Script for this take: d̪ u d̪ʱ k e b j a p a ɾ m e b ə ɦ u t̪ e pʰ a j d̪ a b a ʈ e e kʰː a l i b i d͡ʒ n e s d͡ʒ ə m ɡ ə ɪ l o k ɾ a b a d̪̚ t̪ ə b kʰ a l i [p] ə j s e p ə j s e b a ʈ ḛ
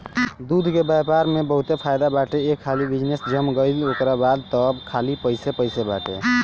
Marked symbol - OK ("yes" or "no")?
yes